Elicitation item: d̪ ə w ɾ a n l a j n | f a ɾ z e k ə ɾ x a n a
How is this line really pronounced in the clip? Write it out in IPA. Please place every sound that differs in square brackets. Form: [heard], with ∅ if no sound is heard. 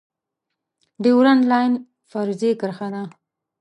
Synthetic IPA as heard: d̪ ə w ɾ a n l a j n | f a ɾ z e k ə ɾ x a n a